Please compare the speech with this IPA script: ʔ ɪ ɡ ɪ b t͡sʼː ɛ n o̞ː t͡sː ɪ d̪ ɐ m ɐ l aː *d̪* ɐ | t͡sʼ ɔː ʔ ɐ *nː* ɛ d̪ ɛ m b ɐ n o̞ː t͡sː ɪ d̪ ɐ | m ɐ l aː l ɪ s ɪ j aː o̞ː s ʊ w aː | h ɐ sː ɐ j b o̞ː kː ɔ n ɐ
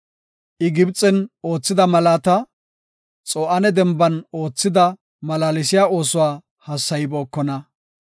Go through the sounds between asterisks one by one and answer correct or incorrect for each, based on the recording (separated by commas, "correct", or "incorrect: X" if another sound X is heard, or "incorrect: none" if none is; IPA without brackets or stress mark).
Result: incorrect: t̪, incorrect: n